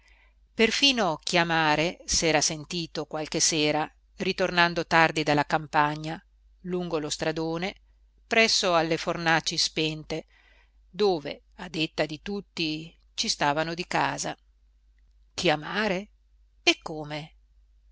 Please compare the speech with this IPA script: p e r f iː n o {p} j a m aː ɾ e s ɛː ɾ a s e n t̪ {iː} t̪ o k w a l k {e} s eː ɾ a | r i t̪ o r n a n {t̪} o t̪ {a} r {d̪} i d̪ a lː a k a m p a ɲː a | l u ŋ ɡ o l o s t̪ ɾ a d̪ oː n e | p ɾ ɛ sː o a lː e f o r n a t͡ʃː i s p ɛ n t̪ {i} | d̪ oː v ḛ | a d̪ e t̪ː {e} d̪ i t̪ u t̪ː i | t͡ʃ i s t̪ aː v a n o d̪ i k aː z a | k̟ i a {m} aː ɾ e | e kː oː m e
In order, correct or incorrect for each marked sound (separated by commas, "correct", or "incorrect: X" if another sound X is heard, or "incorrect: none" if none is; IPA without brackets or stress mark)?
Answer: incorrect: k, correct, correct, incorrect: d̪, correct, correct, incorrect: e, incorrect: a, correct